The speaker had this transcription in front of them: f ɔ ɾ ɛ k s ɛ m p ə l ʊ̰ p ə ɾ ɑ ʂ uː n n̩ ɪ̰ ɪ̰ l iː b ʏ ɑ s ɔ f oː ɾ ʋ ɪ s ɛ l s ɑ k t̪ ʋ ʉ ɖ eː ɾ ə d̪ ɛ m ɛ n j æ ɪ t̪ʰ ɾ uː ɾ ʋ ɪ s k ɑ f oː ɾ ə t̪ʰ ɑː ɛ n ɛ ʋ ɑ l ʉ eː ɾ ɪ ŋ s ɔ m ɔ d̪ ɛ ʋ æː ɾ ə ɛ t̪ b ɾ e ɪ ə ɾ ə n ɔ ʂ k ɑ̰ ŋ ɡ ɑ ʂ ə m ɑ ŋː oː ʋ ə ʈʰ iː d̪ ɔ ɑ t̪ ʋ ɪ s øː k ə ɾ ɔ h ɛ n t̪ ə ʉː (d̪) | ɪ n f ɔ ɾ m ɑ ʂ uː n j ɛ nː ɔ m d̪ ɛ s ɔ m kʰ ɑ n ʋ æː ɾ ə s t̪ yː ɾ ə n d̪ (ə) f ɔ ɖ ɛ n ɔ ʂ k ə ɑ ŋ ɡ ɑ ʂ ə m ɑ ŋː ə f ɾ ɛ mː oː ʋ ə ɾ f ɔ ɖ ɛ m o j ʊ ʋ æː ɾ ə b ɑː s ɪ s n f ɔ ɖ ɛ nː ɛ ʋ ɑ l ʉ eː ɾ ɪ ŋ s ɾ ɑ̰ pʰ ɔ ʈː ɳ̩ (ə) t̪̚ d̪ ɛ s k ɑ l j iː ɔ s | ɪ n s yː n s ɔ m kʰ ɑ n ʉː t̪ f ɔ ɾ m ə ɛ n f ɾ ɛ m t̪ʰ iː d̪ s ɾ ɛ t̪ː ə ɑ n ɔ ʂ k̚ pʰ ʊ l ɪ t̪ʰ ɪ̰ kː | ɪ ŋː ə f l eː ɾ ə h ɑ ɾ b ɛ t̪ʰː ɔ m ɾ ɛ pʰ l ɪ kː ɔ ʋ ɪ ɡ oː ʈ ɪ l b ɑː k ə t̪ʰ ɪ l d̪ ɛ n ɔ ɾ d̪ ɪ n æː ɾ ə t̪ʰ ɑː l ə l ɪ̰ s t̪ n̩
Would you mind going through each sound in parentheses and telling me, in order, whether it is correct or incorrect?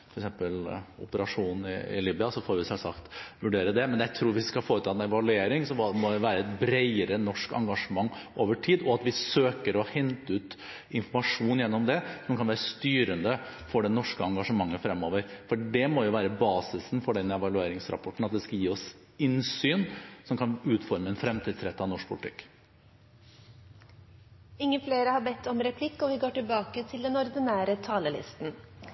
incorrect: t̪, correct, incorrect: ɑ

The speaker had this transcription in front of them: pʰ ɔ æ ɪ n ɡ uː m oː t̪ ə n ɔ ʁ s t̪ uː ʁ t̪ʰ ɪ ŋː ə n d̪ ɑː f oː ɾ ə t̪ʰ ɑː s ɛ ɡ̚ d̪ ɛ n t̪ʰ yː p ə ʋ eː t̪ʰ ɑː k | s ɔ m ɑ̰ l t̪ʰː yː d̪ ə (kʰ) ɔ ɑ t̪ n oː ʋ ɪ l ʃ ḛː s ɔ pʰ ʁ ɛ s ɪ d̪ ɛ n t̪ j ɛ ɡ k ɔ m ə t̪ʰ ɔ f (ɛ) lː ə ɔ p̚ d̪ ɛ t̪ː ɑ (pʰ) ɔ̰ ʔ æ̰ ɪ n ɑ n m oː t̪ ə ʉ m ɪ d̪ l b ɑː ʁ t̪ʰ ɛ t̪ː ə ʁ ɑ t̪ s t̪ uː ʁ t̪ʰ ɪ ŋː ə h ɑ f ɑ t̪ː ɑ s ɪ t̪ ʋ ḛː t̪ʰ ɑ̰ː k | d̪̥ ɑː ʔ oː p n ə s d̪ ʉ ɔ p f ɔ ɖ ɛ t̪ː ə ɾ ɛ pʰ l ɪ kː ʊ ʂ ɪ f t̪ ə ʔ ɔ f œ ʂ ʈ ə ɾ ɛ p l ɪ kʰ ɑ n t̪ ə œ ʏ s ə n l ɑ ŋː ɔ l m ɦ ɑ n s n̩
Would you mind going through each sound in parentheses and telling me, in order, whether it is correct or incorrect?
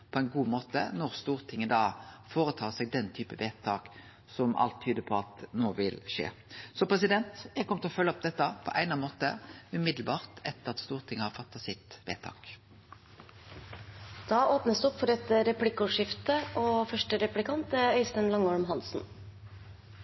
incorrect: pʰ, incorrect: œ, correct

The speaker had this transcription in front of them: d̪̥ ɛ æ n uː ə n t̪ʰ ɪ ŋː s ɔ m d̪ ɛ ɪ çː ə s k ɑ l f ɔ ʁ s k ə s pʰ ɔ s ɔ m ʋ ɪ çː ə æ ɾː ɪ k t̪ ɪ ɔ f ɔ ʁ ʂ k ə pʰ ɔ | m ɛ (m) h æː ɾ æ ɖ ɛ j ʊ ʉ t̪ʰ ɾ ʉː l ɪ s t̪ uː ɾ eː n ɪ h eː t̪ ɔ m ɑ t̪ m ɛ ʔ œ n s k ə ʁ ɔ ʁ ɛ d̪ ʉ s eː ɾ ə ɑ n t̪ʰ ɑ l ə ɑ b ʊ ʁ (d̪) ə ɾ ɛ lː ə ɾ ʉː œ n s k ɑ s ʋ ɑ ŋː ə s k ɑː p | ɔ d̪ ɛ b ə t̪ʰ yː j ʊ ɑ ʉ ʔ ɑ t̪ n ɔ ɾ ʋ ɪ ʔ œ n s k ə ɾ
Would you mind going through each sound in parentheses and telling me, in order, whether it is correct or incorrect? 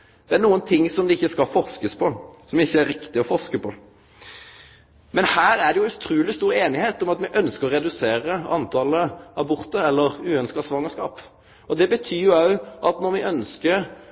incorrect: n, incorrect: t̪

